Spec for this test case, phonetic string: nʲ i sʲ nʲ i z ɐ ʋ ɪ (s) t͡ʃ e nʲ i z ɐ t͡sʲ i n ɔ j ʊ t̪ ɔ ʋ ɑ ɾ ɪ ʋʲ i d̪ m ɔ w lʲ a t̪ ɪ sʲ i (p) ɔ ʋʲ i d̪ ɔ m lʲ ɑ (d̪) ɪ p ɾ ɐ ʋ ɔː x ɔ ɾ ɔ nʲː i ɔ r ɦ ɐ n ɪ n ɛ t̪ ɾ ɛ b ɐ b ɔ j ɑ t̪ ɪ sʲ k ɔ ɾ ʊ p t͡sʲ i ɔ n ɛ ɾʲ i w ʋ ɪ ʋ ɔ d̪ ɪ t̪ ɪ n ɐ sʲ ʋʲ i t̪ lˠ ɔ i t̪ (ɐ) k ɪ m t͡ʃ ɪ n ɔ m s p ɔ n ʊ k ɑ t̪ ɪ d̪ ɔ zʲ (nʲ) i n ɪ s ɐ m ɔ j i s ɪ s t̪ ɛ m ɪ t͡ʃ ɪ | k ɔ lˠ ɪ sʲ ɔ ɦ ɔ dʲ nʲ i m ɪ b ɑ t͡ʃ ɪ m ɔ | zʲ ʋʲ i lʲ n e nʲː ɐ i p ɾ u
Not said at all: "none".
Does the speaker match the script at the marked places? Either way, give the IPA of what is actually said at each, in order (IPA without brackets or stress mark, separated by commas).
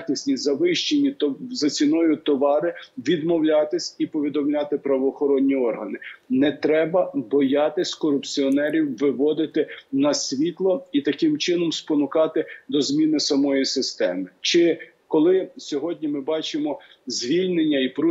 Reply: ʃ, p, t̪, ɐ, mʲ